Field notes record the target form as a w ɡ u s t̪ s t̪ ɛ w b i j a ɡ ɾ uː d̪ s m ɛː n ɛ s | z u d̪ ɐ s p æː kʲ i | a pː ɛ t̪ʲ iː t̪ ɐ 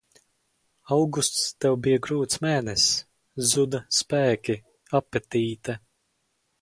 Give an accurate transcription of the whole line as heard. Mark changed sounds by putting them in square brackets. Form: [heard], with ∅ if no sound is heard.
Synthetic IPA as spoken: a w ɡ u s t̪ s t̪ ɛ w b i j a ɡ ɾ uː [t̪] s m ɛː n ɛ s | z u d̪ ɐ s p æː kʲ i | a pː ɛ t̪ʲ iː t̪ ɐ